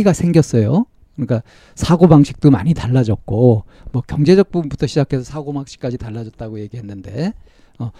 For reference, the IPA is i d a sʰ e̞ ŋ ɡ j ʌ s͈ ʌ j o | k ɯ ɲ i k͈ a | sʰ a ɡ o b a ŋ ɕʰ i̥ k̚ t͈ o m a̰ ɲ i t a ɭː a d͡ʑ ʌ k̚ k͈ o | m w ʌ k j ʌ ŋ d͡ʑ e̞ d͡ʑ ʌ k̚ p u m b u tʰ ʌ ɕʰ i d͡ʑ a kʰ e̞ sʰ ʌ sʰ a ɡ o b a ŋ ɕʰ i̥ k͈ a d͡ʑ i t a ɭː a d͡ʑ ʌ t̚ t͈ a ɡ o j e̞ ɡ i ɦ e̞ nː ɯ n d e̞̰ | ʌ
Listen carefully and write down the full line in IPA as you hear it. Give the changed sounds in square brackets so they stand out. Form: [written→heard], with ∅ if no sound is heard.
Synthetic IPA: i [d→ɡ] a sʰ e̞ ŋ ɡ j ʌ s͈ ʌ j o | k ɯ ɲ i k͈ a | sʰ a ɡ o b a ŋ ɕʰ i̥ k̚ t͈ o m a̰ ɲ i t a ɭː a d͡ʑ ʌ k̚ k͈ o | m w ʌ k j ʌ ŋ d͡ʑ e̞ d͡ʑ ʌ k̚ p u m b u tʰ ʌ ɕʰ i d͡ʑ a kʰ e̞ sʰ ʌ sʰ a ɡ o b a ŋ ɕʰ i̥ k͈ a d͡ʑ i t a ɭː a d͡ʑ ʌ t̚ t͈ a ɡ o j e̞ ɡ i ɦ e̞ nː ɯ n d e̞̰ | ʌ